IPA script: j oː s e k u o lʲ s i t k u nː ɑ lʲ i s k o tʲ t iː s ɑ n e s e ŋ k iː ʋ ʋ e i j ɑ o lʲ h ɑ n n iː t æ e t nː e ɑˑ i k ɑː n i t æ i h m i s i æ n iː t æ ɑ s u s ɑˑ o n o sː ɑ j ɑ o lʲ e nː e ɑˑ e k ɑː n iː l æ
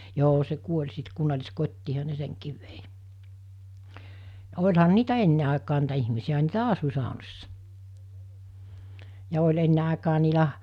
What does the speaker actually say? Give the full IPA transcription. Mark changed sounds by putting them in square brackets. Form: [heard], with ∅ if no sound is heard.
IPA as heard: j oː s e k u o lʲ s i t k u nː ɑ lʲ i s k o tʲ t iː [h] ɑ n e s e ŋ k iː ʋ ʋ e i j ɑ o lʲ h ɑ n n iː t æ e [∅] nː e ɑˑ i k ɑː n [iː] t æ i h m i s i æ n iː t æ ɑ s u s ɑˑ o n o sː ɑ j ɑ o lʲ e nː e ɑˑ e k ɑː n iː l æ